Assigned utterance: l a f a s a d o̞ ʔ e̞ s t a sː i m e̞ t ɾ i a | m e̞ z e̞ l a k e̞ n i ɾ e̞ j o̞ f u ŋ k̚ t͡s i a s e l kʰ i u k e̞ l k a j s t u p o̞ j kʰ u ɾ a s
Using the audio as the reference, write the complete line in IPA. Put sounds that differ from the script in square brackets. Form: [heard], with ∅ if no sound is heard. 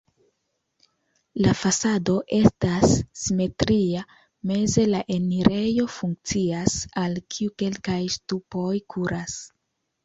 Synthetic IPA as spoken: l a f a s a d o̞ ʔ e̞ s t a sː i m e̞ t ɾ i a | m e̞ z e̞ l a [ʔ] e̞ n i ɾ e̞ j o̞ f u ŋ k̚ t͡s i a s [a] l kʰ i u k e̞ l k a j s t u p o̞ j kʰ u ɾ a s